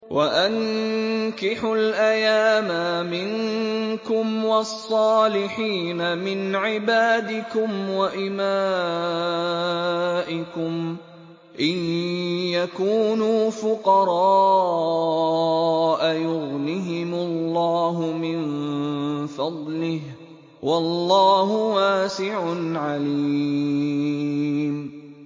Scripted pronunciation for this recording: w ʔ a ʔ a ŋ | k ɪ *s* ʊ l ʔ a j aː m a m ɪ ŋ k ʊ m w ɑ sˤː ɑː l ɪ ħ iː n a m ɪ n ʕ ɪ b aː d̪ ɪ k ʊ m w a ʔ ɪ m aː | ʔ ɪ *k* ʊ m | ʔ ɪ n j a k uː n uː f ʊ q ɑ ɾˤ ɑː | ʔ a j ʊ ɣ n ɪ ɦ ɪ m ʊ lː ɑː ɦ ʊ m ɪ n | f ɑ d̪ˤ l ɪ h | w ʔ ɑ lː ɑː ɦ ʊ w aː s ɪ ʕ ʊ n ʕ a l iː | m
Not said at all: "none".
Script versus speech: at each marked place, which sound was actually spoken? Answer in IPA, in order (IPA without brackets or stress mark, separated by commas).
ħ, k